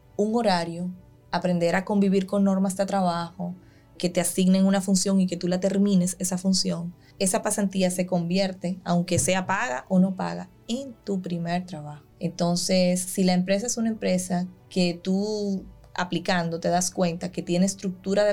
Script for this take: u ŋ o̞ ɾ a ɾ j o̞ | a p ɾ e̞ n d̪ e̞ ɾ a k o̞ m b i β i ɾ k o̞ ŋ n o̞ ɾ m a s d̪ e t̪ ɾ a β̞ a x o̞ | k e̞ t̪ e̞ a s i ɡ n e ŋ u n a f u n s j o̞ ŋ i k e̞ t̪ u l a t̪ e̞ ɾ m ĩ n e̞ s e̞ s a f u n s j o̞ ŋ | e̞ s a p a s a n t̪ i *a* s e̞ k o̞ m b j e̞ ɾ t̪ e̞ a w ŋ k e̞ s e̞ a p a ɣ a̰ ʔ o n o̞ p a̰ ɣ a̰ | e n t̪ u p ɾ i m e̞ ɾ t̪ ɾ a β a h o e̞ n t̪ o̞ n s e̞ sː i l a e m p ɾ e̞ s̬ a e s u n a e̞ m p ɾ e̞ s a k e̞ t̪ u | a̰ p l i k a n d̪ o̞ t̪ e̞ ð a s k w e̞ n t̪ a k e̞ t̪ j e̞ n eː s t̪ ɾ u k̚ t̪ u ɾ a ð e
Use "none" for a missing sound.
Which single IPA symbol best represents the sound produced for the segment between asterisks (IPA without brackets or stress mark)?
a